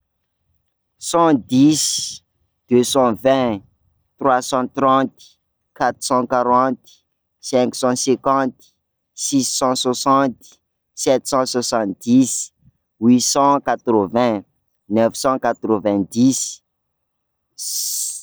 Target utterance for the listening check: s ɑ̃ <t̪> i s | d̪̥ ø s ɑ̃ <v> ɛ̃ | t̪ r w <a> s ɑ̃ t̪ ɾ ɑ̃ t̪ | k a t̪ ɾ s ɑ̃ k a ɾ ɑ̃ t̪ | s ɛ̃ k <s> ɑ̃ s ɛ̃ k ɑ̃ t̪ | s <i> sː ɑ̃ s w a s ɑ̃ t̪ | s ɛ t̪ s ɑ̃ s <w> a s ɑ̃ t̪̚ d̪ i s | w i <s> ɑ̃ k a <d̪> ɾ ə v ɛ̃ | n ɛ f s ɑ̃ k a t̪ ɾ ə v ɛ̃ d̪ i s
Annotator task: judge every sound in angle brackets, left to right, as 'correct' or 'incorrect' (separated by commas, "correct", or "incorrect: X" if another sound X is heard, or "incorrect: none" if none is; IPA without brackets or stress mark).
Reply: incorrect: d̪, correct, correct, correct, correct, correct, correct, incorrect: t̪